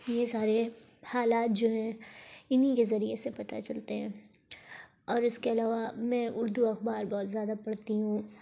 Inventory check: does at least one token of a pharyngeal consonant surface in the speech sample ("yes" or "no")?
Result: no